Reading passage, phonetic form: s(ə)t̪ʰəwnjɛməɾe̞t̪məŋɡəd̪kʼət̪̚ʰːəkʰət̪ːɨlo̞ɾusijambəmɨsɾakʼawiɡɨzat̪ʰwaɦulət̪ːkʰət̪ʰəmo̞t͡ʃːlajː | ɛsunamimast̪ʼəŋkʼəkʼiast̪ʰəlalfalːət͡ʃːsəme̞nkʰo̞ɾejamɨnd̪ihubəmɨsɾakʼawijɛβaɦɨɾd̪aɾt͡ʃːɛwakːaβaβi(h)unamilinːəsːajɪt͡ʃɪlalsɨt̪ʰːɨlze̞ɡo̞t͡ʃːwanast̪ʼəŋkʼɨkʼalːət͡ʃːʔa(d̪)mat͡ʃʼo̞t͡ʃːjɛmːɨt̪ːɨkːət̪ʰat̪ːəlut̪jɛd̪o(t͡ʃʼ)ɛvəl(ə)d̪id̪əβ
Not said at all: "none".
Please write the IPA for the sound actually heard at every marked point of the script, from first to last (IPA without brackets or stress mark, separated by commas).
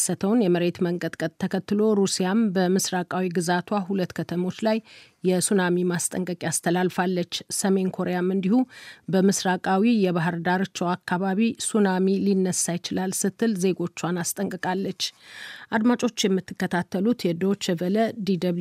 ə, s, d̪, t͡ʃ, ə